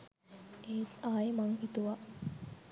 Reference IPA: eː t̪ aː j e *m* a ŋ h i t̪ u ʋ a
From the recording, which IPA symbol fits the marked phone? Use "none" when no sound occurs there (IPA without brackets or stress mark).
m